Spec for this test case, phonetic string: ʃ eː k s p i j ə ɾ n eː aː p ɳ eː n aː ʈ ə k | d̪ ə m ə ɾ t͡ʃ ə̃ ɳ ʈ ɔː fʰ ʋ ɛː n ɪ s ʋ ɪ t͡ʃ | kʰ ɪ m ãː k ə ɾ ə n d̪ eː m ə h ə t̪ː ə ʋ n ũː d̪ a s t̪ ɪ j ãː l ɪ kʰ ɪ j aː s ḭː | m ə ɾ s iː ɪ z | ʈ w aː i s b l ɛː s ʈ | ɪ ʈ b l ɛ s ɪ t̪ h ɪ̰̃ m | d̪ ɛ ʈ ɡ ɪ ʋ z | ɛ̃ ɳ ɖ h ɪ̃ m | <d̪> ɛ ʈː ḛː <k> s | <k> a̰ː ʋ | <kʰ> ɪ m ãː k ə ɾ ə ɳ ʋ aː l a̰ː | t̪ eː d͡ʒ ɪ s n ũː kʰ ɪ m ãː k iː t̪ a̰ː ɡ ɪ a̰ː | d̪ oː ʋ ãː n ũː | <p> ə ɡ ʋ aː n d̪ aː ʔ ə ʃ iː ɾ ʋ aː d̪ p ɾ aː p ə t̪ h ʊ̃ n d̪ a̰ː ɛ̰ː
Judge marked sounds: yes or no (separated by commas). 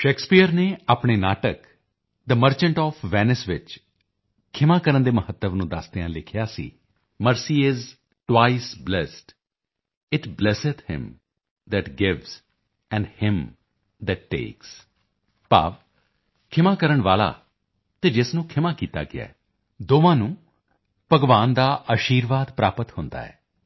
yes, yes, no, yes, yes